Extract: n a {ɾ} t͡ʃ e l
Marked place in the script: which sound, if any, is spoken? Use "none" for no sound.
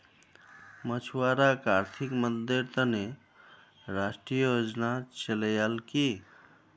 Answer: none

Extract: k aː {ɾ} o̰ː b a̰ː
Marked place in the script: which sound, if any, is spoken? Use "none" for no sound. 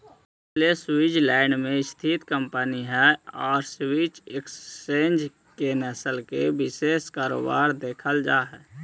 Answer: ɾ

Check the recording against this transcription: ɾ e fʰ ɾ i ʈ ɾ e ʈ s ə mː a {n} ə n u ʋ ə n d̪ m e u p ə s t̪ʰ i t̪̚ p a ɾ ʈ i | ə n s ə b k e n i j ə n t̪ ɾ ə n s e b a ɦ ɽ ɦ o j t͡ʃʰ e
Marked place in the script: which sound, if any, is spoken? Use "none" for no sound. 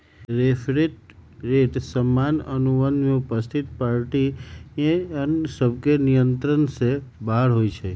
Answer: n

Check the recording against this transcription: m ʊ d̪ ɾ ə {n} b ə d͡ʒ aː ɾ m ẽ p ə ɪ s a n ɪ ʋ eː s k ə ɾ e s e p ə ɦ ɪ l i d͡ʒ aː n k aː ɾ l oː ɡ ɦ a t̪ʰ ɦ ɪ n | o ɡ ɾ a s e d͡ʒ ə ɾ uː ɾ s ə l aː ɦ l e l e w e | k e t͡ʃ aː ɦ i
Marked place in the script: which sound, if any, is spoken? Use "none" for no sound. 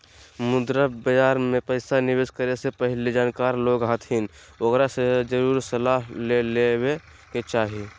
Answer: none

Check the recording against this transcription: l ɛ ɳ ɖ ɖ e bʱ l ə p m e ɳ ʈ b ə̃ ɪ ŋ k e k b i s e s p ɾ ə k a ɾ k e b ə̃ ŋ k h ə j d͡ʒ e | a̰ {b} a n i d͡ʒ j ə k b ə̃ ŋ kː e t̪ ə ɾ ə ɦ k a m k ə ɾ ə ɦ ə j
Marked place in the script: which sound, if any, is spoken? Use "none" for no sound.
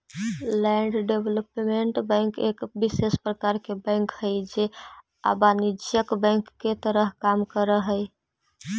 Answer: b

